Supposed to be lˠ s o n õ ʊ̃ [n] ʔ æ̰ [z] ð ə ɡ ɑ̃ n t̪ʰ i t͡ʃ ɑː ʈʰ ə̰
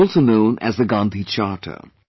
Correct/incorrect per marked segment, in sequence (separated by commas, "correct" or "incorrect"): correct, correct